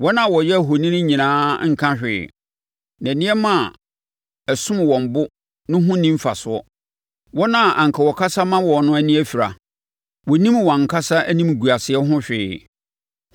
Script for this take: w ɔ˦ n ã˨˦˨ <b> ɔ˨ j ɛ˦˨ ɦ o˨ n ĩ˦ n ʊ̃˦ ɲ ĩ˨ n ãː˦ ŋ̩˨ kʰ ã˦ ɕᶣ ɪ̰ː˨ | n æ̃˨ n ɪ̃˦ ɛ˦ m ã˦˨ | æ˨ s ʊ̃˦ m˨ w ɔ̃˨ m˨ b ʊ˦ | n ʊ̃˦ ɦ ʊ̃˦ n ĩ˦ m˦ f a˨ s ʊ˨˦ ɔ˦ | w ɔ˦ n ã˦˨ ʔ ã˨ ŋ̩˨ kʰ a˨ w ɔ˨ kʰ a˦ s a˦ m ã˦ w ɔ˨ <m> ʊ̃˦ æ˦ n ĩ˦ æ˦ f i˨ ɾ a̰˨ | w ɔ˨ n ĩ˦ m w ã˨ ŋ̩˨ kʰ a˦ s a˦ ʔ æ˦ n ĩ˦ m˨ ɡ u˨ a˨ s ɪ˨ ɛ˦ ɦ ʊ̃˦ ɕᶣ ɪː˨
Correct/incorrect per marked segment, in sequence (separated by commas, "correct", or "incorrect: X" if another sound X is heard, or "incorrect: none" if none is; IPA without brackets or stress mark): incorrect: w, incorrect: n